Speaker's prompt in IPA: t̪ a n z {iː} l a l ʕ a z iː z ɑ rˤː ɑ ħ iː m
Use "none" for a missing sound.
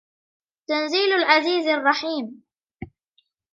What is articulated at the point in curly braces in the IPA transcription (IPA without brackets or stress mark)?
iː